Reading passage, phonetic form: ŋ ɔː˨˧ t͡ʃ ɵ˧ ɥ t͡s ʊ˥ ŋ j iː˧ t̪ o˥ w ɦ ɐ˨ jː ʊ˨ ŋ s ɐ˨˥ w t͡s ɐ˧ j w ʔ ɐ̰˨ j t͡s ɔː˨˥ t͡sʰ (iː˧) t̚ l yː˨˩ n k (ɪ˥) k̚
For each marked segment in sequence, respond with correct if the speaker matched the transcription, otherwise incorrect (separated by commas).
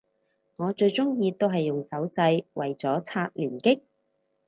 incorrect, correct